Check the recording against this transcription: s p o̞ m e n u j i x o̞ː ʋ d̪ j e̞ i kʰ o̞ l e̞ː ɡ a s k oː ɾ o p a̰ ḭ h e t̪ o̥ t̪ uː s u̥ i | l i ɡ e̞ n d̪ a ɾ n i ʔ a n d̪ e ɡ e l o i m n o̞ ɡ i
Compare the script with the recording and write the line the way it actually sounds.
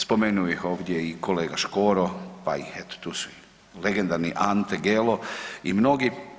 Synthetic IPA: s p o̞ m e n u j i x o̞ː ʋ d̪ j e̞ i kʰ o̞ l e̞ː ɡ a ʃ k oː ɾ o p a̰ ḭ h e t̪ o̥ t̪ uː s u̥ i | l e ɡ e̞ n d̪ a ɾ n i ʔ a n t̪ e ɡ e l o i m n o̞ ɡ i